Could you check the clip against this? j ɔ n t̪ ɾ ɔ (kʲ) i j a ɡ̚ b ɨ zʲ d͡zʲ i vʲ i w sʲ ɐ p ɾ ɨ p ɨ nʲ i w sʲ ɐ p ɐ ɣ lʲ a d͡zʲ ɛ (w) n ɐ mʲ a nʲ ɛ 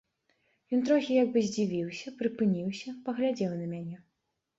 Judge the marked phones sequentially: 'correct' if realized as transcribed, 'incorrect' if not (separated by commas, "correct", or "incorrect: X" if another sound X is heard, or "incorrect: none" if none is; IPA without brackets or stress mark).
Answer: incorrect: xʲ, correct